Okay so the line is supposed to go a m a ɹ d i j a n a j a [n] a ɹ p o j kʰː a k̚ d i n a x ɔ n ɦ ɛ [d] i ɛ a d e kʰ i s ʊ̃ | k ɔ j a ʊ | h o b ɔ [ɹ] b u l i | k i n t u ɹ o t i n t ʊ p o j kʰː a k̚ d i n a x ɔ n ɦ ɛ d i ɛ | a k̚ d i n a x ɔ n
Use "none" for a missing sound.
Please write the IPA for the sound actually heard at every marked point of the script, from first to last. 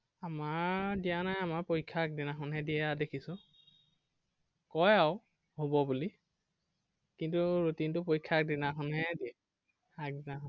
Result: m, d, none

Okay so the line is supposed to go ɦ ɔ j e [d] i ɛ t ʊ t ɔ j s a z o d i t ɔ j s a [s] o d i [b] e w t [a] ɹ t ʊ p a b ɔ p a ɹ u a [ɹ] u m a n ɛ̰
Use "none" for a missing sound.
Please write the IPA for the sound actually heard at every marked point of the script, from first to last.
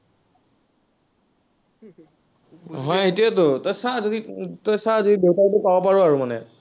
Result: t, z, d, a, ɹ

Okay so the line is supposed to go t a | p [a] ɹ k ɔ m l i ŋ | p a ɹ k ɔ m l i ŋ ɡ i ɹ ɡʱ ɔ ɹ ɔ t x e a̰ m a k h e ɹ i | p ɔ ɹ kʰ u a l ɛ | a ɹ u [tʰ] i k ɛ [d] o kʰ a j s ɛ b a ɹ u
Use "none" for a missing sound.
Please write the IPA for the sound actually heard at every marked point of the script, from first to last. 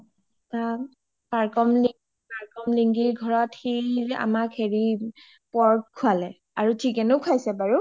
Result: a, tʰ, n

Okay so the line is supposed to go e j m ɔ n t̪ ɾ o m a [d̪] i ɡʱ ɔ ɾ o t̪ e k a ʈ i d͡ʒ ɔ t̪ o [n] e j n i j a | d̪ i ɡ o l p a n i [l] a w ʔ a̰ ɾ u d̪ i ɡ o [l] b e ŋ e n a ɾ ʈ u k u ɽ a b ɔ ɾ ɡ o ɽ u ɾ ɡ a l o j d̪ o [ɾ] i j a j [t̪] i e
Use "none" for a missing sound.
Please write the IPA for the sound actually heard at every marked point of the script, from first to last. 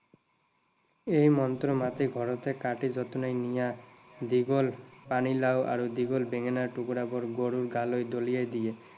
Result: t̪, n, l, l, l, d̪

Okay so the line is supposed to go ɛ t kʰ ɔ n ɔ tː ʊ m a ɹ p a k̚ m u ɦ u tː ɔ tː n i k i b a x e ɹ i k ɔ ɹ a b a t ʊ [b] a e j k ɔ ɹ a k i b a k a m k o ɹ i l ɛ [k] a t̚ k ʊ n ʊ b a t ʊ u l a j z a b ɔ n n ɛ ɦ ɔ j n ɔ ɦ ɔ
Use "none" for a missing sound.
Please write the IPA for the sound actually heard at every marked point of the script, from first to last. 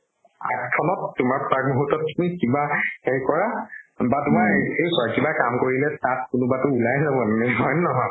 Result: m, t

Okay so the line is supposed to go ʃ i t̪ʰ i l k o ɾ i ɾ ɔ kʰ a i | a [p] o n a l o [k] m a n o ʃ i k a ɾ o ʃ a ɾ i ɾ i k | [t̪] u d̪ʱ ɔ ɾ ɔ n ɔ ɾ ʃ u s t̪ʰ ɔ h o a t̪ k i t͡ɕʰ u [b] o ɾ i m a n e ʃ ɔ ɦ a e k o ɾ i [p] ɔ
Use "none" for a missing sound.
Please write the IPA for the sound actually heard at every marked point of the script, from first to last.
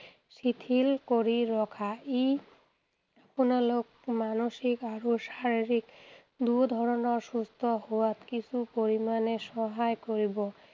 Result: p, k, d̪, p, b

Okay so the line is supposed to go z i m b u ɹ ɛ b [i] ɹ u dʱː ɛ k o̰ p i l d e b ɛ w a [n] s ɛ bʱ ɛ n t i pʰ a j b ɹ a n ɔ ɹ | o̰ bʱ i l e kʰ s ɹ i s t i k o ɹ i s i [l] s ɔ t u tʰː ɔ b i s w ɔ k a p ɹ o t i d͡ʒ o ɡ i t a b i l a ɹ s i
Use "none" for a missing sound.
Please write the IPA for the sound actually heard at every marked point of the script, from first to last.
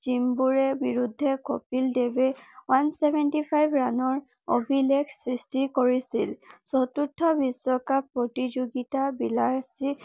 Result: i, n, l

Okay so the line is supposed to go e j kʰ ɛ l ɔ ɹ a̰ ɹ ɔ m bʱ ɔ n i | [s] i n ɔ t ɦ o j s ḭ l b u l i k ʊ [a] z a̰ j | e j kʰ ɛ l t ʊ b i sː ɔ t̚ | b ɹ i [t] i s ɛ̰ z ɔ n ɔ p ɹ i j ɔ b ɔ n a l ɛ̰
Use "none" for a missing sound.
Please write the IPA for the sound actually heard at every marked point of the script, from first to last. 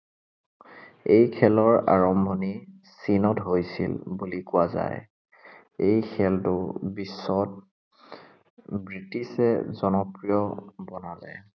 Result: s, a, t

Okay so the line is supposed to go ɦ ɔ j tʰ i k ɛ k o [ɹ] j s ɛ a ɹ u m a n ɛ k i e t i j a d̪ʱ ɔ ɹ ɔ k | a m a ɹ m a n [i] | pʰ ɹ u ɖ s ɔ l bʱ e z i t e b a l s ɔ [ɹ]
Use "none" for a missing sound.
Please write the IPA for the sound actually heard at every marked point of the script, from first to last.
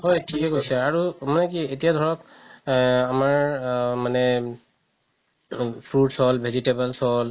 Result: none, ɛ, l

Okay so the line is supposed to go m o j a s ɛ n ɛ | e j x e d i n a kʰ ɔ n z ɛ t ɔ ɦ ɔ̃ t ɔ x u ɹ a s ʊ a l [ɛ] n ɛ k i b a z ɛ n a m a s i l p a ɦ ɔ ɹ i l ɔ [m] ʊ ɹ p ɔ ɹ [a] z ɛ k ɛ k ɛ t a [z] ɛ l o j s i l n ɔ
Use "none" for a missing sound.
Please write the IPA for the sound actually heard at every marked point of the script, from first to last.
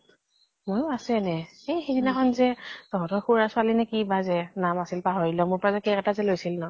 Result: i, m, a, z

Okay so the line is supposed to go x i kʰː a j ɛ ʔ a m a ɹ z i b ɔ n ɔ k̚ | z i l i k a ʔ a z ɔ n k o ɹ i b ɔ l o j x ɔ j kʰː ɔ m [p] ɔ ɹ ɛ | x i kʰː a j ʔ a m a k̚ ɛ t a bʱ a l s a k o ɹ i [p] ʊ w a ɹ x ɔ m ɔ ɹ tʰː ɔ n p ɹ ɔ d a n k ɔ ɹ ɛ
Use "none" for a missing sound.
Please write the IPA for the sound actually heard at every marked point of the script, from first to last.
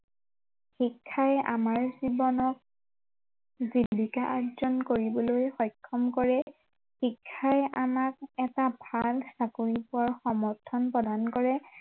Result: k, p

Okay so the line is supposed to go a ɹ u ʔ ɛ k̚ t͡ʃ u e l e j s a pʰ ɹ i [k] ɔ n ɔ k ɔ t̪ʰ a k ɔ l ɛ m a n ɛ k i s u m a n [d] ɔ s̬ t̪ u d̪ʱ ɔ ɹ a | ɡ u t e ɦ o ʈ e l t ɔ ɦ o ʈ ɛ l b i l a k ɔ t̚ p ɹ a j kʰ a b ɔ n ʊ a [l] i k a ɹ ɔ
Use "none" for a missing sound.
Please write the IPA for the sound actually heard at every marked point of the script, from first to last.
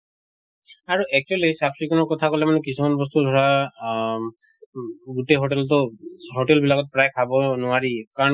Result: k, b, ɹ

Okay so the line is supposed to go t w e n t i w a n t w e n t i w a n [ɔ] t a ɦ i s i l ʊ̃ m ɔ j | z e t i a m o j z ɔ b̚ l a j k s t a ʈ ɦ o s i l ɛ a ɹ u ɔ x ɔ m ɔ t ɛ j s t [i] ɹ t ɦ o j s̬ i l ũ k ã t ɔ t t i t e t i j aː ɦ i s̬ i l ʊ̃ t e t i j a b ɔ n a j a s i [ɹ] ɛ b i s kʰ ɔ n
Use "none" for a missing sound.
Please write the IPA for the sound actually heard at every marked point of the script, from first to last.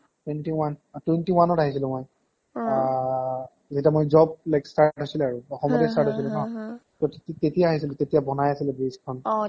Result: ɔ, a, l

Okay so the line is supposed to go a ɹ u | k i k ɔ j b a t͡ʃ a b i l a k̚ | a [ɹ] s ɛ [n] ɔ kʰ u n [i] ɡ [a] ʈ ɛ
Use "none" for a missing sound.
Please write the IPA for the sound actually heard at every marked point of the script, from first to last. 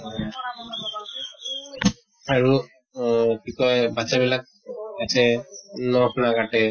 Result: none, n, a, a

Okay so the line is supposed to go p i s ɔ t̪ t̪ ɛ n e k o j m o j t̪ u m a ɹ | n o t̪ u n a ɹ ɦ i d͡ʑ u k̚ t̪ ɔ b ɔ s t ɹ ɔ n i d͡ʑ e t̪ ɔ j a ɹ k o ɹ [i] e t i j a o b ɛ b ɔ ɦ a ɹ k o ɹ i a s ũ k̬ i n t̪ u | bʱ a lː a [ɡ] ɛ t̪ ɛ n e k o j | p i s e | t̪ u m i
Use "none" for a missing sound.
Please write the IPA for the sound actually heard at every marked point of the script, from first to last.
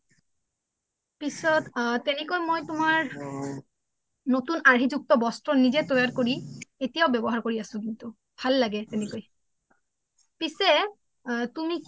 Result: i, ɡ

